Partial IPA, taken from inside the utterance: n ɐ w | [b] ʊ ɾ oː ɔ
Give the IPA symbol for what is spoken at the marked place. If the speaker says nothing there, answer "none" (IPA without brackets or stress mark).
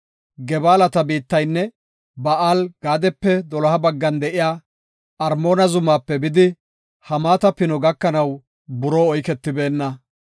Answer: b